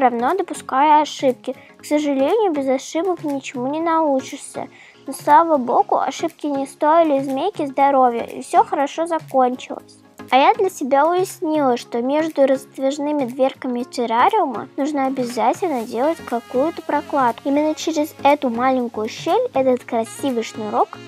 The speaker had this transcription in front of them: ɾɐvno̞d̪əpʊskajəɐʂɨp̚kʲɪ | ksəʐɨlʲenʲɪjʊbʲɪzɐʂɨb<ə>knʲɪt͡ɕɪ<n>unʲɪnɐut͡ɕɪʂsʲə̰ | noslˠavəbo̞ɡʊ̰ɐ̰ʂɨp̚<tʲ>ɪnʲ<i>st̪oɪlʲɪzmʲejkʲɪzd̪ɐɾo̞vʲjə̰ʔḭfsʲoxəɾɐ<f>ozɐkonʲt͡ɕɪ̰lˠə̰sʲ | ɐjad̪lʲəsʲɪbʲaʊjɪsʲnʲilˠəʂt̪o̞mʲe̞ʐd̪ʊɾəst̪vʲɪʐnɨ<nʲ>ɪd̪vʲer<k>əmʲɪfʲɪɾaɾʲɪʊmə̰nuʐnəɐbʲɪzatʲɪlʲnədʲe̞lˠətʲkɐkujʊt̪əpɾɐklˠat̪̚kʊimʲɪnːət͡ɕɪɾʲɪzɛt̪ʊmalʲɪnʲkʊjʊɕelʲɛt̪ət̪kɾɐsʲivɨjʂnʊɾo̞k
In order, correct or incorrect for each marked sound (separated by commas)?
correct, incorrect, incorrect, incorrect, incorrect, incorrect, correct